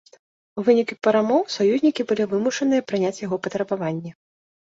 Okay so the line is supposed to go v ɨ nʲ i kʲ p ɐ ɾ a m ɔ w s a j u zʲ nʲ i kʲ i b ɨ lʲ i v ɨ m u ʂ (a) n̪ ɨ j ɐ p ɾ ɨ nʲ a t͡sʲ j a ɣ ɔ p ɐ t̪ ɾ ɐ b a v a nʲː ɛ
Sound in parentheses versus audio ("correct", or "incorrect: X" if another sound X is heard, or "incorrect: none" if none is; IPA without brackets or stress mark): incorrect: ɐ